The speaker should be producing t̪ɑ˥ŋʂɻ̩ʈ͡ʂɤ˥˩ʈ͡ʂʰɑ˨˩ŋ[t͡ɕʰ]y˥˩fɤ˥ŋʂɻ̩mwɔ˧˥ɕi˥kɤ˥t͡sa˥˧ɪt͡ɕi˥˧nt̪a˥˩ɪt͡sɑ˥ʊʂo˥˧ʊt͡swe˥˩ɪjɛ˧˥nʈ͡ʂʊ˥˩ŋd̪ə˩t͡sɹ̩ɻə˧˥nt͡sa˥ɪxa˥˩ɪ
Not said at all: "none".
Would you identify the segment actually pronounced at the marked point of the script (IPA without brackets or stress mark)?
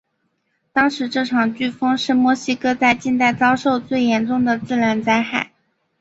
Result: t͡ɕ